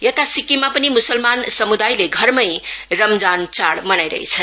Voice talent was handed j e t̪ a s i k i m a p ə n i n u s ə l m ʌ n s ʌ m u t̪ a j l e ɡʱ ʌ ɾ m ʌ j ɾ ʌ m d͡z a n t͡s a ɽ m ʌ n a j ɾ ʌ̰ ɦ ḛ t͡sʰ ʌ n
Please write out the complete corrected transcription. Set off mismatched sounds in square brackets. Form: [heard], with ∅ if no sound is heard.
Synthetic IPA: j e t̪ a s i k i m a p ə n i [m] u s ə l m [a] n s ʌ m u [d̪] a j l e ɡʱ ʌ ɾ m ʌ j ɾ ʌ m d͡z a n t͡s a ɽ m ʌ n a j ɾ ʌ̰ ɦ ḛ t͡sʰ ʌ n

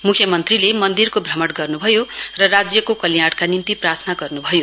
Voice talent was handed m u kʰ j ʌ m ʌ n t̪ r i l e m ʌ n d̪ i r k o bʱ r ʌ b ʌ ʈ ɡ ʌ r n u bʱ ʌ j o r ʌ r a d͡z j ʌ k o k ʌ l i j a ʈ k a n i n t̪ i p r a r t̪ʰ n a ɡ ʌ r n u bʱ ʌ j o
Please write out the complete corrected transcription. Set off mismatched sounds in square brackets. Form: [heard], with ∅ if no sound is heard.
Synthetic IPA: m u kʰ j ʌ m ʌ n t̪ r i l e m ʌ n d̪ i r k o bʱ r ʌ [m] ʌ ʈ ɡ ʌ r n u bʱ ʌ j o r ʌ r a d͡z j ʌ k o k ʌ l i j a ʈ k a n i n t̪ i p r a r t̪ʰ n a ɡ ʌ r n u bʱ ʌ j o

